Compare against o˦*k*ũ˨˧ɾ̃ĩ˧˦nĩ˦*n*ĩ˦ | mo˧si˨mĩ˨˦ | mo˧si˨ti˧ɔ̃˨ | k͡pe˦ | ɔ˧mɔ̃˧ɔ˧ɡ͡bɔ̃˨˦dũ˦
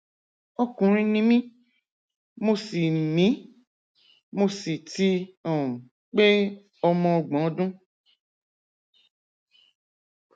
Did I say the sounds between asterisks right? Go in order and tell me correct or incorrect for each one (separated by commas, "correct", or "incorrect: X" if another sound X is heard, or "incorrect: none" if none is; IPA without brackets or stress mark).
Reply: correct, incorrect: m